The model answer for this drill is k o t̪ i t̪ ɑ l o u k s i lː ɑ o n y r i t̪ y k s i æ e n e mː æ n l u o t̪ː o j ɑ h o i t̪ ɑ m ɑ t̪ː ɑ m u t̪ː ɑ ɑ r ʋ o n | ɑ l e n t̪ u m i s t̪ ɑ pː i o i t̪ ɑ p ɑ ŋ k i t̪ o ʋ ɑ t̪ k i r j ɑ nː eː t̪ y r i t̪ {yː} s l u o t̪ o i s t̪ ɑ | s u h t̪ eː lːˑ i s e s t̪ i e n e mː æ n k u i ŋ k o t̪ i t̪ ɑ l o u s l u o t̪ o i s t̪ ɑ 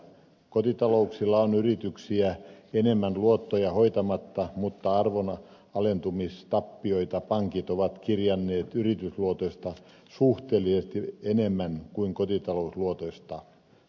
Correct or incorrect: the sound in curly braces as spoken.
incorrect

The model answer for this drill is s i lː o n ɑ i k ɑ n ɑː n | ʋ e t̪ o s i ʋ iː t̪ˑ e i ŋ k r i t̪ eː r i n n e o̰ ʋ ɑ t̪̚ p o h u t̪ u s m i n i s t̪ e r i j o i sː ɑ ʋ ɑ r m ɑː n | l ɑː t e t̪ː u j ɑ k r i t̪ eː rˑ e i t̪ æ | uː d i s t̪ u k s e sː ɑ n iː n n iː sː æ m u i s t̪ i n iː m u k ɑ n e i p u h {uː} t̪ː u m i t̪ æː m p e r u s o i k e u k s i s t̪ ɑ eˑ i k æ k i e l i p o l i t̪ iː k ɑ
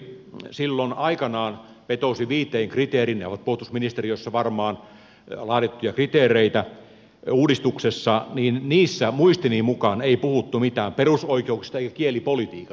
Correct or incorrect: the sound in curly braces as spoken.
incorrect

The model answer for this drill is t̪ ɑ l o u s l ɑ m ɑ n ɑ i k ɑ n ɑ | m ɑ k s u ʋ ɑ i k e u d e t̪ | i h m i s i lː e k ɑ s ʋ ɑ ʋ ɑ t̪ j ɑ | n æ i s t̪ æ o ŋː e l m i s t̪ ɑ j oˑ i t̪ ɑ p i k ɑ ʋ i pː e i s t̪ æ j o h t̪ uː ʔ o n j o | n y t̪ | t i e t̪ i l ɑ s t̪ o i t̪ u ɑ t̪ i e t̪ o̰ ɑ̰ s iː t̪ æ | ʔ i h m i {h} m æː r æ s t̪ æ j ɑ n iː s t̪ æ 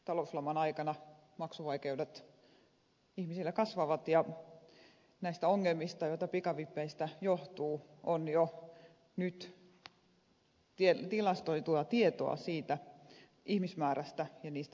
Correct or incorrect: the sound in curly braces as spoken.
incorrect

